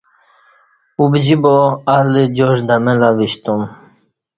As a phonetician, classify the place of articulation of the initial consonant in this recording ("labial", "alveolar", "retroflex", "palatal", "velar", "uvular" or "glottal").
labial